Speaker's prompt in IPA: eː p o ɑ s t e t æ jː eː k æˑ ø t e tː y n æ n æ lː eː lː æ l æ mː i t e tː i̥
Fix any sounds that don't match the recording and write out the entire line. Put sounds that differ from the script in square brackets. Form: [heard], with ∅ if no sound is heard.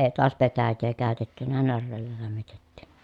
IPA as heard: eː [t] o ɑ s [p] e t æ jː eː k æˑ ø t e tː y n æ n æ [rː] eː lː æ l æ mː i t e tː i̥

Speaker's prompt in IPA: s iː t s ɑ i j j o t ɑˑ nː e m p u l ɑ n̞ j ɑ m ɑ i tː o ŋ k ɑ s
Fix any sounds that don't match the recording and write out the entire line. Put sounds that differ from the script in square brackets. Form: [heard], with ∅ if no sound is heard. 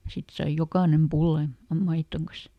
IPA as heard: s [i] t s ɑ i j j o [k] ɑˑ [n] e m p u [lː] ɑ n̞ j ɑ m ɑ i tː o ŋ k ɑ s

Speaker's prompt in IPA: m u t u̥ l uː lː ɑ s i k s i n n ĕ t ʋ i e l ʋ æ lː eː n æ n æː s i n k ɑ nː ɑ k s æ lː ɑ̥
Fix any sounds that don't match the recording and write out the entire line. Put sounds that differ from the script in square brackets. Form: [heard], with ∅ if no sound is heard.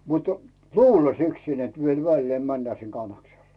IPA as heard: m u t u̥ l uː lː ɑ s i k s i n n ĕ t ʋ i e l ʋ æ lː eː [m] æ [nː] æː s i n k ɑ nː ɑ k s [e] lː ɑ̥

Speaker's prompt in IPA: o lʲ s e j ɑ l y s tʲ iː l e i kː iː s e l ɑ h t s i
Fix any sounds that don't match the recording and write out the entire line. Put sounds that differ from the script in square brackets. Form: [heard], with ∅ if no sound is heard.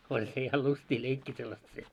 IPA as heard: o lʲ s e j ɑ l y s tʲ iː l e i kː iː s e [lː] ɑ [s] t s [e]

